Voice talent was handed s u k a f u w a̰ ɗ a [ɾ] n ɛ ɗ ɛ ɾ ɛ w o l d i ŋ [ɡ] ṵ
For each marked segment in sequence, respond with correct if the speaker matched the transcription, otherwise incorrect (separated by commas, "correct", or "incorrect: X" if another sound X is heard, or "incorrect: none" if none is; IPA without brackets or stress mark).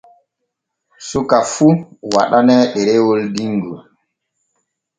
incorrect: none, correct